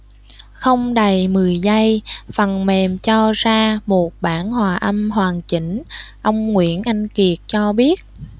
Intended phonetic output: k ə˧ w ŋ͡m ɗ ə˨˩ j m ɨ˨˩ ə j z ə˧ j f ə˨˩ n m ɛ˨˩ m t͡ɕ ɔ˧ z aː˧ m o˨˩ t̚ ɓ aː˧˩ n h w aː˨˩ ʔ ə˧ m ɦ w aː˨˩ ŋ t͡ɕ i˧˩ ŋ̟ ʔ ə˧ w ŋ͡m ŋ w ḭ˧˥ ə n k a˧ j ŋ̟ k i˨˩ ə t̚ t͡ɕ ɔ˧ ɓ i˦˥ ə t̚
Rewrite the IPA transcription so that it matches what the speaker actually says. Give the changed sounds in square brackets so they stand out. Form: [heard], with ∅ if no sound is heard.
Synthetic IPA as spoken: [x] ə˧ w ŋ͡m ɗ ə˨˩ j m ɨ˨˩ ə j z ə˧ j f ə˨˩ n m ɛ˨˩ m t͡ɕ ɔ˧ z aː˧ m o˨˩ t̚ ɓ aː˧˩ n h w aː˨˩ ʔ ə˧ m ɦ w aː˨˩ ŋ t͡ɕ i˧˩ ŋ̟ ʔ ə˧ w ŋ͡m ŋ w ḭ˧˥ ə n [ʔ] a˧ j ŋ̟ k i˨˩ ə t̚ t͡ɕ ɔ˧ ɓ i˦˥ ə t̚